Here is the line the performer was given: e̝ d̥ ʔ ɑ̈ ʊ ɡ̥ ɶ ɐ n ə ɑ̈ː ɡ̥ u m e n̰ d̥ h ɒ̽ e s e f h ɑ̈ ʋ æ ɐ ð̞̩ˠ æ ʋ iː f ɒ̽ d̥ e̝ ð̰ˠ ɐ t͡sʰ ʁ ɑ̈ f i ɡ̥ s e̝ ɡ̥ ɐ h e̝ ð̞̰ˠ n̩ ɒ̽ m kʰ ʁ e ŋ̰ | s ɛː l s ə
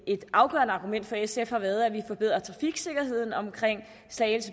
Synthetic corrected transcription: e̝ d̥ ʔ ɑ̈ ʊ ɡ̥ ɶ ɐ n ə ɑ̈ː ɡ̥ u m e n̰ d̥ f ɒ̽ e s e f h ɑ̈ ʋ æ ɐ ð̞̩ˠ æ ʋ i f ɒ̽ b̥ e̝ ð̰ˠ ɐ t͡sʰ ʁ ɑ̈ f i ɡ̥ s e̝ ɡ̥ ɐ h e̝ ð̞̰ˠ n̩ ɒ̽ m kʰ ʁ e ŋ̰ | s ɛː l s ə